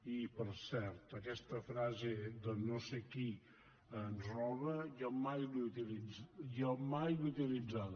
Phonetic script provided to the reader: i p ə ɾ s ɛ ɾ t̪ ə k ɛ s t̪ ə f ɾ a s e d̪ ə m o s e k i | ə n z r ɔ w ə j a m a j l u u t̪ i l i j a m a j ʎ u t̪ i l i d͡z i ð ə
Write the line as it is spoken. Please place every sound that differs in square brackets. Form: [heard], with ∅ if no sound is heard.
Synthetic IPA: i p ə ɾ s ɛ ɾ t̪ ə k ɛ s t̪ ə f ɾ a [z] e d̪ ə [n] o s e k i | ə n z r ɔ [β] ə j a m a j l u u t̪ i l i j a m a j [l] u t̪ i l i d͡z [a] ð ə

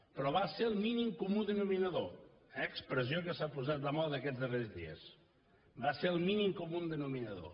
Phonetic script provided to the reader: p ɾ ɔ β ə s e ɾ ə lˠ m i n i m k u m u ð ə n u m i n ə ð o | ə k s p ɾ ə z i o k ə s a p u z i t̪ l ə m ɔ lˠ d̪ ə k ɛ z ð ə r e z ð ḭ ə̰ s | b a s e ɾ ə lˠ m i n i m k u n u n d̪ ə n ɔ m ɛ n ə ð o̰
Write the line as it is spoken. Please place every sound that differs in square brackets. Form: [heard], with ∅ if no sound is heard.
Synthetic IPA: p ɾ ɔ β [a] s e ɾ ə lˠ m i n i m k u m u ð ə n u m i n ə ð o | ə k s p ɾ ə z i o k ə s a p u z [a] t̪ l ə m ɔ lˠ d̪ ə k ɛ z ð ə r e z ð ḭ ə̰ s | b a s e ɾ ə lˠ m i n i m k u [m] u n d̪ ə n [u] m [i] n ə ð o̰

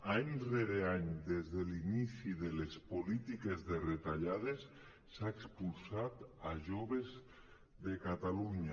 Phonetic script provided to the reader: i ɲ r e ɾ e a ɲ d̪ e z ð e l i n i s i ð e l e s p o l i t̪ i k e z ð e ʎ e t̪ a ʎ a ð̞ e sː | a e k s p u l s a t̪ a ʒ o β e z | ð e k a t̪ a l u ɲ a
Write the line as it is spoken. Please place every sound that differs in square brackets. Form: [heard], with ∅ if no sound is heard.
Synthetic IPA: [a] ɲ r e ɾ e a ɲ d̪ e z ð e l i n i s i ð e l e s p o l i t̪ i k e z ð e [r] e t̪ a ʎ a ð̞ e sː | a e k s p u l s a t̪ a ʒ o β e z | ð e k a t̪ a l u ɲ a

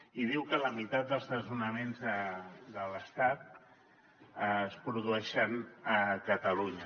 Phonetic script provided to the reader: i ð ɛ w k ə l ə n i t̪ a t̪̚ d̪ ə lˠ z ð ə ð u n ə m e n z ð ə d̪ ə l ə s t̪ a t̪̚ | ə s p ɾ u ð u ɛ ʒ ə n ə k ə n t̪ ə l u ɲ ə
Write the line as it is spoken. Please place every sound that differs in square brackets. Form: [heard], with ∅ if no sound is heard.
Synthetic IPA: i ð [i] w k ə l ə [m] i t̪ a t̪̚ d̪ ə lˠ z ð ə [z] u n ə m e n z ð ə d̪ ə l ə s t̪ a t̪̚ | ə s p ɾ u ð u ɛ [ʃ] ə n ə k ə [∅] t̪ ə l u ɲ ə

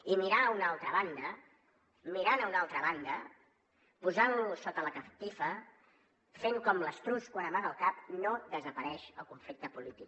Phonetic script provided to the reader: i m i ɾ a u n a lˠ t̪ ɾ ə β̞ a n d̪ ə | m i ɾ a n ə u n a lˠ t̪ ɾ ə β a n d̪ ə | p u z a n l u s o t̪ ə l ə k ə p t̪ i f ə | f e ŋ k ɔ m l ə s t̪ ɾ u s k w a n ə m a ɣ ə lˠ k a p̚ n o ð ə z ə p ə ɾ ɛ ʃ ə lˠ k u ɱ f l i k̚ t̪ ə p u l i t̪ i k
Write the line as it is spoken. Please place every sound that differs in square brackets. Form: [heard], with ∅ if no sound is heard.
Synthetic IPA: i m i ɾ a u n a lˠ t̪ ɾ ə β̞ a n d̪ ə | m i ɾ a n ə u n a lˠ t̪ ɾ ə β a n d̪ ə | p u z a n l u s o t̪ ə l ə k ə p t̪ i f ə | f e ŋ k ɔ m l ə s t̪ ɾ u s k w a n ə m a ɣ ə lˠ k a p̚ n o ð ə z ə p ə ɾ ɛ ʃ ə lˠ k u ɱ f l i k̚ t̪ ə p u l i t̪ i k

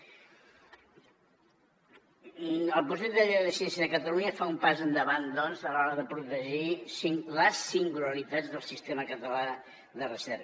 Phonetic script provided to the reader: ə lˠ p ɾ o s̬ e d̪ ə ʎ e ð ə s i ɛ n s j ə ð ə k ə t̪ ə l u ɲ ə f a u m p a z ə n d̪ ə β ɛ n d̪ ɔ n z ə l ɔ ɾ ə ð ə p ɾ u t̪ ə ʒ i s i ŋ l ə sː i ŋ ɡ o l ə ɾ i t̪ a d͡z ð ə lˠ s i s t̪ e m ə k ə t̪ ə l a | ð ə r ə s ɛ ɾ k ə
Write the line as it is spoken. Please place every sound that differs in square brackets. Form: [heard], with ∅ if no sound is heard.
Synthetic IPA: ə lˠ p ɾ [u] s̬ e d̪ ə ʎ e ð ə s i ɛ n s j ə ð ə k ə t̪ ə l u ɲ ə f a u m p a z ə n d̪ ə β [a] n d̪ ɔ n z ə l ɔ ɾ ə ð ə p ɾ u t̪ ə ʒ i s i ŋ l ə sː i ŋ ɡ [u] l ə ɾ i t̪ a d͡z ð ə lˠ s i s t̪ e m ə k ə t̪ ə l a | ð ə r ə s ɛ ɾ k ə

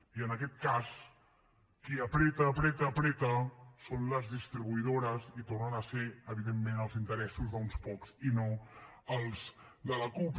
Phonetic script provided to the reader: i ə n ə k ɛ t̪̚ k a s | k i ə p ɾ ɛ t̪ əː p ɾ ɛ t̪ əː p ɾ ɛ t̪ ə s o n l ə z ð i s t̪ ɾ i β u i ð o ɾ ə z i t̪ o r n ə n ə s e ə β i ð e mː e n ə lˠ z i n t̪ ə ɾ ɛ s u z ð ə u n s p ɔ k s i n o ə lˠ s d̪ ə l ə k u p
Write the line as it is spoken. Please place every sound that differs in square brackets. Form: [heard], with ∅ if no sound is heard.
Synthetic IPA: i ə n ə k ɛ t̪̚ k a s | k i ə p ɾ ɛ t̪ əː p ɾ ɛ t̪ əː p ɾ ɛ t̪ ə s o n l ə z ð i s t̪ ɾ i β u i ð o ɾ ə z i t̪ o r n ə n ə s e ə β i ð e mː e n ə lˠ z i n t̪ ə ɾ ɛ s u z ð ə u n s p ɔ k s i n o ə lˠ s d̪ ə l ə k u p

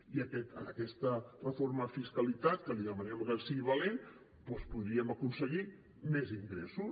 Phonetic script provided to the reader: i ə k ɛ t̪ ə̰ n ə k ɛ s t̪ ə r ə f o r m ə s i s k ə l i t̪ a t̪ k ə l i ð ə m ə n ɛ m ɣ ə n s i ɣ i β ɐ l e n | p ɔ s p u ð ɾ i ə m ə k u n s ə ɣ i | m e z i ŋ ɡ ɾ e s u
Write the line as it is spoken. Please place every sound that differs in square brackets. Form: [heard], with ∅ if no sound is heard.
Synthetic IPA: i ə k ɛ t̪ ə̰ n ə k ɛ s t̪ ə r ə f o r m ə [f] i s k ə l i t̪ a t̪ k ə l i ð ə m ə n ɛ m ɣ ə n s i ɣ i β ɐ l e n | p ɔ s p u ð ɾ i ə m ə k u n s ə ɣ i | m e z i ŋ ɡ ɾ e s u

